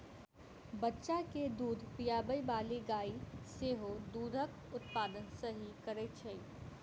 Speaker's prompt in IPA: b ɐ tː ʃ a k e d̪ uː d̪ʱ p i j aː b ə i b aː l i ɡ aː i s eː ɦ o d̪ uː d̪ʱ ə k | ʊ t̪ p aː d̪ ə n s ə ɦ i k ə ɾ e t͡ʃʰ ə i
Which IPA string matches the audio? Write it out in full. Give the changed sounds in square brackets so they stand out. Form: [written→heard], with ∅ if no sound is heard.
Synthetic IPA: b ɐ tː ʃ a k e d̪ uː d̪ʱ p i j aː b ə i b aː l i ɡ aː i s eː ɦ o d̪ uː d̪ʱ ə k | ʊ t̪ p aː d̪ ə n s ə ɦ i k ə ɾ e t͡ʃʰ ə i